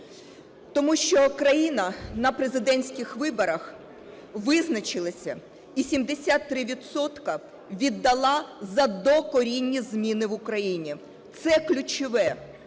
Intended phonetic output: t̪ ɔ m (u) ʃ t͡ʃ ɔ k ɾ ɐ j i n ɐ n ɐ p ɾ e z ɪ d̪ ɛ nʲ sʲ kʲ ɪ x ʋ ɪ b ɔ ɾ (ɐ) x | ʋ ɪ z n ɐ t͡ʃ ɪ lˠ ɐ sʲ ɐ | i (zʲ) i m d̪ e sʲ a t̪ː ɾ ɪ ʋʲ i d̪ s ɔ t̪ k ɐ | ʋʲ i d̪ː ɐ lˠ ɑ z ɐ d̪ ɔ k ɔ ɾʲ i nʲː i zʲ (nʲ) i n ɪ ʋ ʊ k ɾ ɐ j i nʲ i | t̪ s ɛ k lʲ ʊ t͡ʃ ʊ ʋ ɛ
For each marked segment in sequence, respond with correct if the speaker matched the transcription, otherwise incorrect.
correct, correct, incorrect: sʲ, incorrect: mʲ

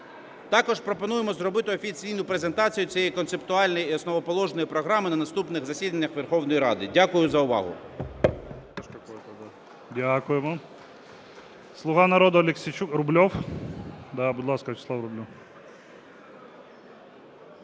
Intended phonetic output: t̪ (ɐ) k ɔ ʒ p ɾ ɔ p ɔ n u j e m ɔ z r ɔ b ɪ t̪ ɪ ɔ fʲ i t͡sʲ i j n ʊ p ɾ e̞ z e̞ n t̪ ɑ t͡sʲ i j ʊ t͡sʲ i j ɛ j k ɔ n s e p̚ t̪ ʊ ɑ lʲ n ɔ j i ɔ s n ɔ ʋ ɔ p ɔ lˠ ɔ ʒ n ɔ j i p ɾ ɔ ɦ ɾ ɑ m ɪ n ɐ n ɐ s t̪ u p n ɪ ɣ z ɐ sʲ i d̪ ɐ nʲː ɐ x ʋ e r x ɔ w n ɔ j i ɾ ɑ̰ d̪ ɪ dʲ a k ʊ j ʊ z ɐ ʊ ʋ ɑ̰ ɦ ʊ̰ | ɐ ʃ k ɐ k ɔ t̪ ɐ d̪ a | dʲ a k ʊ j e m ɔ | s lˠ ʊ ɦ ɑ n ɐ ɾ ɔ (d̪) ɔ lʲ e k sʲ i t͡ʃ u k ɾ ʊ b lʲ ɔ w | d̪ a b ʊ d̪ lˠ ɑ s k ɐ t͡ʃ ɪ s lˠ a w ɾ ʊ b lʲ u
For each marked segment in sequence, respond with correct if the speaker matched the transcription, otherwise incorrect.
incorrect: ɑ, correct

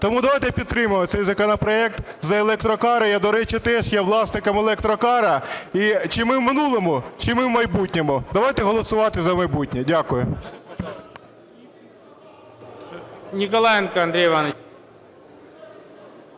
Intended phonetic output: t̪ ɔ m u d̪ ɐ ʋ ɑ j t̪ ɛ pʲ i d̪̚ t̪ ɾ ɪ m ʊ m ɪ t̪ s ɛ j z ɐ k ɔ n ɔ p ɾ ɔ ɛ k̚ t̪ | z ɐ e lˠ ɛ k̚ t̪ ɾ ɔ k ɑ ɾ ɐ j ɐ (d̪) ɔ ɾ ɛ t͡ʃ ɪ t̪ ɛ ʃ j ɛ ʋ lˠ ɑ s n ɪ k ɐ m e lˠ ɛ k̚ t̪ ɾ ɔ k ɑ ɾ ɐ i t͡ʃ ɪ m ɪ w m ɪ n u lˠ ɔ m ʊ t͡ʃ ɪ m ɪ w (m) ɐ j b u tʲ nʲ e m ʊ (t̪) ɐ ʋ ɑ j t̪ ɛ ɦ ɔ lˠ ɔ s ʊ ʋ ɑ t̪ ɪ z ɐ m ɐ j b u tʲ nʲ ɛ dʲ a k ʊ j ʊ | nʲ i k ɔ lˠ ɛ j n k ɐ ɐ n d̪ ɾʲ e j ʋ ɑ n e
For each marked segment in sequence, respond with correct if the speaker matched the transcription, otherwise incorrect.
correct, correct, incorrect: d̪

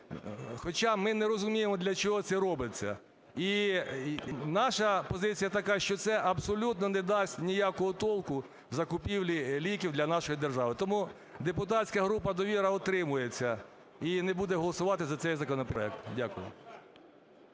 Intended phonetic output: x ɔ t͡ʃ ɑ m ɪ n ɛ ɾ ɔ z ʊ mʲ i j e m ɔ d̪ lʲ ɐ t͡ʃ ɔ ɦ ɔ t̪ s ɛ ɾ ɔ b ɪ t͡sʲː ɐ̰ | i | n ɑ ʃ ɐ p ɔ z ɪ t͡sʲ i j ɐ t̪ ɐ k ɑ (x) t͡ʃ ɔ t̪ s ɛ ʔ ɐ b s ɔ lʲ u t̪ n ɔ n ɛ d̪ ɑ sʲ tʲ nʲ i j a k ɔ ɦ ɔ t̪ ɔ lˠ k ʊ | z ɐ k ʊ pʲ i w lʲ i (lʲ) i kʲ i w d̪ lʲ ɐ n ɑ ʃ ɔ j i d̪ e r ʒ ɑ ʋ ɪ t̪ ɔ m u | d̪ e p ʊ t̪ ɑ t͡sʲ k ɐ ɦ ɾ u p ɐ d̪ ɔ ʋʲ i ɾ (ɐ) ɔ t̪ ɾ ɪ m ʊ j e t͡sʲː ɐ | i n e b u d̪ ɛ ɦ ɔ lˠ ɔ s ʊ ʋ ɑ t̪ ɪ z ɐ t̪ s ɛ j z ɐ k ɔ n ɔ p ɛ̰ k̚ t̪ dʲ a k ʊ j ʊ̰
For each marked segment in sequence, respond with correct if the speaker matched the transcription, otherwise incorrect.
incorrect: ʃ, correct, correct

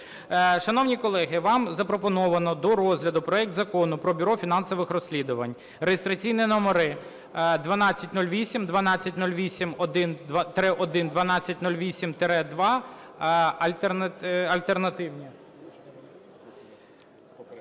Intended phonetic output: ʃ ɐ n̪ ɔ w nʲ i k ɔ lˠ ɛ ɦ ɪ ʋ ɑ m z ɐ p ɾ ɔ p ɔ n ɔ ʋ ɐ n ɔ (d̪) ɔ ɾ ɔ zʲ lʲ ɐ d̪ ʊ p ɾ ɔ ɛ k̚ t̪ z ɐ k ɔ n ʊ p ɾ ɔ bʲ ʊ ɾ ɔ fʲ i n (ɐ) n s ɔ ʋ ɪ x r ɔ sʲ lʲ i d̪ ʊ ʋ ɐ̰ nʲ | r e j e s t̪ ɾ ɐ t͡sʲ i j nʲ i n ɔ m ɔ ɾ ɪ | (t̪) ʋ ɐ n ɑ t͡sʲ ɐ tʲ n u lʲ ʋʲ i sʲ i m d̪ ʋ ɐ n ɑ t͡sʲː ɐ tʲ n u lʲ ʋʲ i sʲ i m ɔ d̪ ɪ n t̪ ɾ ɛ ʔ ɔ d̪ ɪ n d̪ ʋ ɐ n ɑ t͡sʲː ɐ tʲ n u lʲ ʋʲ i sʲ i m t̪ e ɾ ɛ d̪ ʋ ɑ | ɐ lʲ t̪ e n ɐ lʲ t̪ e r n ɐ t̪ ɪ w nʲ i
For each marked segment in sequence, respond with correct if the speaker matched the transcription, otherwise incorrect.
correct, incorrect: ɑ, incorrect: d̪

